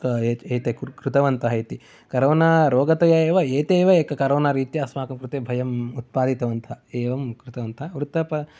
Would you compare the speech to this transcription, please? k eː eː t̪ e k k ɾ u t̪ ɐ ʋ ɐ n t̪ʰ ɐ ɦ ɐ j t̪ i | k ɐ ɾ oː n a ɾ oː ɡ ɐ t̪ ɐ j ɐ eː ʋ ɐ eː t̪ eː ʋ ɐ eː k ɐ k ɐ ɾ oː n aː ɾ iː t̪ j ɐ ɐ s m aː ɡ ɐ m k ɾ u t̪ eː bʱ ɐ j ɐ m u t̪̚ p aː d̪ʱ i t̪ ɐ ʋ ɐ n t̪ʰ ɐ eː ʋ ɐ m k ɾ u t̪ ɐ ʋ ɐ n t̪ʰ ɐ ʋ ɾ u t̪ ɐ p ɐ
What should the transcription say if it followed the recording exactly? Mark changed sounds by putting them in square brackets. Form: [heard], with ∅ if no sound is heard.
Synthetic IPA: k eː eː t̪ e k k ɾ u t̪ ɐ ʋ ɐ n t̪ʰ ɐ ɦ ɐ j t̪ i | k ɐ ɾ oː n a ɾ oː ɡ ɐ t̪ ɐ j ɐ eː ʋ ɐ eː t̪ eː ʋ ɐ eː k ɐ k ɐ ɾ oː n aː ɾ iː t̪ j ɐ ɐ s m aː [k] ɐ m k ɾ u t̪ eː bʱ ɐ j ɐ m u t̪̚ p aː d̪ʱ i t̪ ɐ ʋ ɐ n t̪ʰ ɐ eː ʋ ɐ m k ɾ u t̪ ɐ ʋ ɐ n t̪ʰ ɐ ʋ ɾ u t̪ ɐ p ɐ